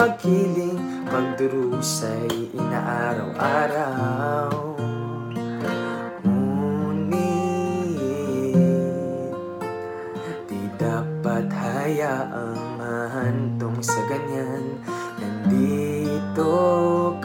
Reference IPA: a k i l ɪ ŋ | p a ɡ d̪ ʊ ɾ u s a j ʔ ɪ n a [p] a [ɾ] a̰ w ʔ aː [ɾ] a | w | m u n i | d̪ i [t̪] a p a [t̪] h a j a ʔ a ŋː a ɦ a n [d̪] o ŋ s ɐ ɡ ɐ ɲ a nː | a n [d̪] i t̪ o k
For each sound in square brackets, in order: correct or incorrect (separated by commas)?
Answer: incorrect, correct, correct, incorrect, correct, incorrect, correct